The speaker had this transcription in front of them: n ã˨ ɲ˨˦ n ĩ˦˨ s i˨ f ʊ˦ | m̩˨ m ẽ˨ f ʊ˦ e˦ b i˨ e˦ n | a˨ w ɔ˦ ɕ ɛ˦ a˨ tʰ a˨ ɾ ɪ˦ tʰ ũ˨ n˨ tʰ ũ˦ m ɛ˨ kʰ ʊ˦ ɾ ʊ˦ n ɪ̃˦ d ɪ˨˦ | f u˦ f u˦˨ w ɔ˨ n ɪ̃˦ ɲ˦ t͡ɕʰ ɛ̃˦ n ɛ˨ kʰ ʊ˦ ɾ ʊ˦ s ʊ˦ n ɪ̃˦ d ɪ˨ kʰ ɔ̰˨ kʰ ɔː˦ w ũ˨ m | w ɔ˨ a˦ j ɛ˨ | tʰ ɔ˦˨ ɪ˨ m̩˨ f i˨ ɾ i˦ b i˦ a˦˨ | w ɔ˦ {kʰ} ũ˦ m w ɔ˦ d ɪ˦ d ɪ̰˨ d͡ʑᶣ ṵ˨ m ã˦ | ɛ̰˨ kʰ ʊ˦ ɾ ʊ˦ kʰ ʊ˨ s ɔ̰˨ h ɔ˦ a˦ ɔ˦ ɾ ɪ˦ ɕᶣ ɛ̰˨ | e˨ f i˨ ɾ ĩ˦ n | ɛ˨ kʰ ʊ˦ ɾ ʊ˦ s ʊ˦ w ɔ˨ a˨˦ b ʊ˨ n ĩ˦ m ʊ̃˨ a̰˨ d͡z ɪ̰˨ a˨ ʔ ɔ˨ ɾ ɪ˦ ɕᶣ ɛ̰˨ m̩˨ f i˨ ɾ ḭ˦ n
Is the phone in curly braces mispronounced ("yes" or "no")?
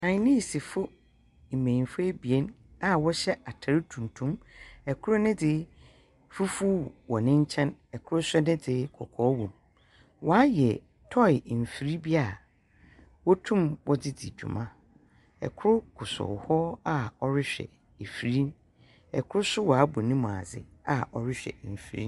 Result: yes